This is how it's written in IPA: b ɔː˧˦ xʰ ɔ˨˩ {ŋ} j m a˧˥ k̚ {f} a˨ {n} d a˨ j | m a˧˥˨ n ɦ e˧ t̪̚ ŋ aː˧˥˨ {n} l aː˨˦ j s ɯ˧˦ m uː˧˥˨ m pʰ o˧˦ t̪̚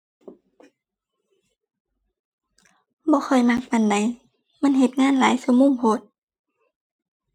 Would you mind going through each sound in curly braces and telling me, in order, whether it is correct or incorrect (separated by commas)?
incorrect, correct, correct, correct